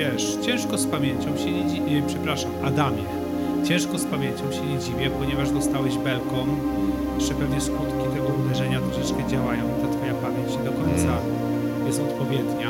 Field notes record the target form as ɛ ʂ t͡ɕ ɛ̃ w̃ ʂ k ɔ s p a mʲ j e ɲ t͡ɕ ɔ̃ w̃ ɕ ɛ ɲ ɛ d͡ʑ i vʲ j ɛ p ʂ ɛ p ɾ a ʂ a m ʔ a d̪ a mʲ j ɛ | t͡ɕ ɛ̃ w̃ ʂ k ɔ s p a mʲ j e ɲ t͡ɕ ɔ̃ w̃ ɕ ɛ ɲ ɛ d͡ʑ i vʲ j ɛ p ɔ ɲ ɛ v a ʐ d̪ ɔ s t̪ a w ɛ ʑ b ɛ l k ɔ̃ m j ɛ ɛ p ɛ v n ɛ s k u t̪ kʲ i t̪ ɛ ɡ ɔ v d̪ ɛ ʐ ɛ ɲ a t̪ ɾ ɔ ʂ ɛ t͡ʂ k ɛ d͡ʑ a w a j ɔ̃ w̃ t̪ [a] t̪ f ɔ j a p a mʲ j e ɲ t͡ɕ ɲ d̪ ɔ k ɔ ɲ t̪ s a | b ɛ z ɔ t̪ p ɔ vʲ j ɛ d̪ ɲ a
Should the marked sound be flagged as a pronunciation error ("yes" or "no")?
no